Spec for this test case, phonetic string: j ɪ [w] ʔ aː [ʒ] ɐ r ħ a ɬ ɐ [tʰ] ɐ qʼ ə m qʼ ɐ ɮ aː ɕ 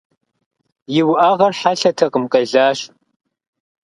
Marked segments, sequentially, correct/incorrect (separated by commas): correct, incorrect, correct